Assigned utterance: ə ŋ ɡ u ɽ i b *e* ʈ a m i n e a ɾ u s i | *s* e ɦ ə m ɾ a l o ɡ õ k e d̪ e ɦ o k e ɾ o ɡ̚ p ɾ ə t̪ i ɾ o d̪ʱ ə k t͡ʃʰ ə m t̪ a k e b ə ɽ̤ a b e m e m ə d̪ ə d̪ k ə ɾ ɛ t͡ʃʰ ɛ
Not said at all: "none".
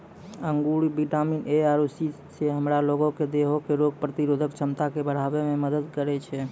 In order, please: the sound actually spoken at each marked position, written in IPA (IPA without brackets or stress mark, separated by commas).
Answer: i, s